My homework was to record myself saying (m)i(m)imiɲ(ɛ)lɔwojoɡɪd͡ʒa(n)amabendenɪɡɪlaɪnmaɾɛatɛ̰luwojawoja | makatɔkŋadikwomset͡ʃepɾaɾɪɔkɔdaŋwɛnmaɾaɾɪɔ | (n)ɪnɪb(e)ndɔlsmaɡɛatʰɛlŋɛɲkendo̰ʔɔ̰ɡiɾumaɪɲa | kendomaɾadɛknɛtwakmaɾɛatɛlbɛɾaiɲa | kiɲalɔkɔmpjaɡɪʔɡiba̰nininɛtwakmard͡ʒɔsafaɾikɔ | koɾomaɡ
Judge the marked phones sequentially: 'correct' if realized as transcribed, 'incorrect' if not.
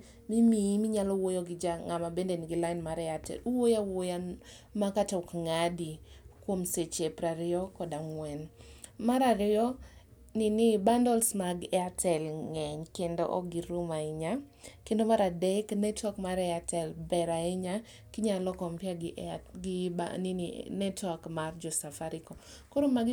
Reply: correct, correct, incorrect, incorrect, correct, incorrect

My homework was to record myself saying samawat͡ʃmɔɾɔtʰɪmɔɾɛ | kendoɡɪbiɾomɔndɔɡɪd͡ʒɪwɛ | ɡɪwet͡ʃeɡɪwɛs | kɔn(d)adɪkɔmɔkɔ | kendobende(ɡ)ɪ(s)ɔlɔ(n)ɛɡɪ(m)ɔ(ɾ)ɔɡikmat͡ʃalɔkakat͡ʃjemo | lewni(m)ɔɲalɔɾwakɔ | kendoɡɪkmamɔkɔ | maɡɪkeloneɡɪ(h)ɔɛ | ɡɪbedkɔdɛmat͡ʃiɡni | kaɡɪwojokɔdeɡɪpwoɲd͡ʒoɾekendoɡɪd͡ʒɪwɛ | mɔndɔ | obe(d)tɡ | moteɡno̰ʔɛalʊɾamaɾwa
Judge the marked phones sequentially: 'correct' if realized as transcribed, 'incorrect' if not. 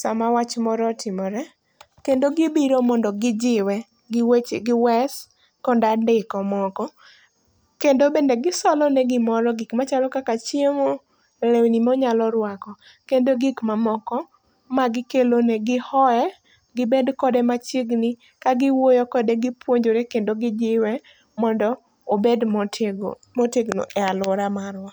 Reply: correct, correct, correct, correct, correct, correct, correct, correct, correct

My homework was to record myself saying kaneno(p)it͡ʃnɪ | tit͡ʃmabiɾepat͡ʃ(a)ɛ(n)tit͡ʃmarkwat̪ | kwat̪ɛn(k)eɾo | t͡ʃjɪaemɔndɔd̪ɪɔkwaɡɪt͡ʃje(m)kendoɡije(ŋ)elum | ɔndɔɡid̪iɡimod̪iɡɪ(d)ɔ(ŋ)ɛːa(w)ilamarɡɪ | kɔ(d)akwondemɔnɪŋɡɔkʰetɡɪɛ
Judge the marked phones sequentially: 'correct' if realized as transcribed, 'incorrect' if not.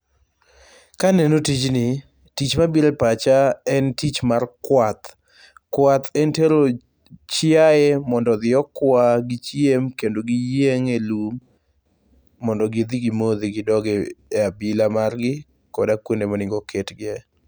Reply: incorrect, correct, correct, incorrect, correct, correct, correct, incorrect, incorrect, correct

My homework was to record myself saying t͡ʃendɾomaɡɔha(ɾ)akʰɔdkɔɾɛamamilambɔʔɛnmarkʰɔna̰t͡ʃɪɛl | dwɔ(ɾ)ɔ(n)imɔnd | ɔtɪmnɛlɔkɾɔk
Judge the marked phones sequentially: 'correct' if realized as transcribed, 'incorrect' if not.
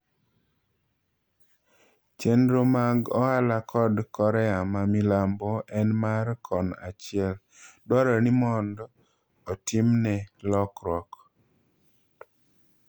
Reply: incorrect, correct, correct

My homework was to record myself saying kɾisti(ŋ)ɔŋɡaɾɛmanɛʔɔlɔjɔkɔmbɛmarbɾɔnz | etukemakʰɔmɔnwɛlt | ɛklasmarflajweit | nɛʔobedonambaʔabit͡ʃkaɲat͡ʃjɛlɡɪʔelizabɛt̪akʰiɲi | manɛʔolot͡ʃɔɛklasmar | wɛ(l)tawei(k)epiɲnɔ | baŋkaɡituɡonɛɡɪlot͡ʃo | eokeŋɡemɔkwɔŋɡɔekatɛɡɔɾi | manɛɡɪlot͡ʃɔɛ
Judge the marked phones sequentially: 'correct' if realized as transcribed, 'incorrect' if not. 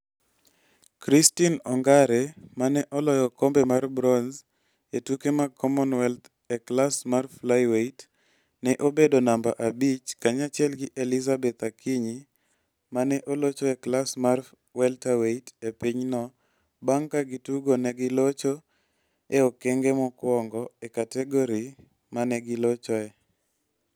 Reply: incorrect, correct, incorrect

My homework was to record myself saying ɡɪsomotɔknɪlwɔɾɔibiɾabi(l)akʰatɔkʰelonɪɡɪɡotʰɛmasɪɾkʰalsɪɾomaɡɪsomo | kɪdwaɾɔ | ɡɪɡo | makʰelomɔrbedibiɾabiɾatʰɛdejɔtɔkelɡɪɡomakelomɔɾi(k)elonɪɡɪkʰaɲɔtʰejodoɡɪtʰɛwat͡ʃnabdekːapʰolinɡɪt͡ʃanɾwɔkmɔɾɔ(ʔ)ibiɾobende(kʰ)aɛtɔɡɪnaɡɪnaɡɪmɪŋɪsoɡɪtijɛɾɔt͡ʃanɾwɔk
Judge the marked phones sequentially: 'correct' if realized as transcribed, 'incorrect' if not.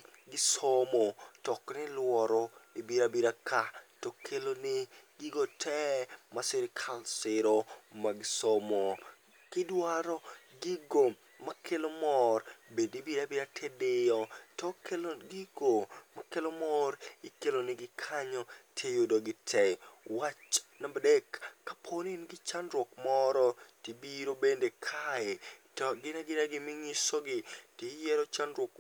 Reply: incorrect, correct, incorrect, correct

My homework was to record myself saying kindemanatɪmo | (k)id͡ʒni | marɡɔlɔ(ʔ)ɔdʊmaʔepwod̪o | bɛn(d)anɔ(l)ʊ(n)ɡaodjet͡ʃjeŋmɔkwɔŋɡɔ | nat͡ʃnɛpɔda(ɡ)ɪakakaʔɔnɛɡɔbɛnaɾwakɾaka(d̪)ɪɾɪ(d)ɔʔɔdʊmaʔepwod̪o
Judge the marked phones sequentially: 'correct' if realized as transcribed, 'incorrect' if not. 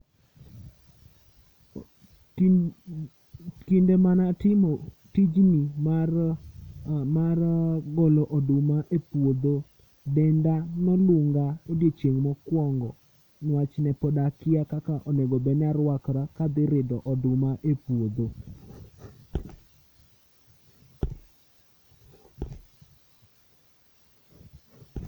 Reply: incorrect, correct, correct, correct, incorrect, incorrect, correct, correct

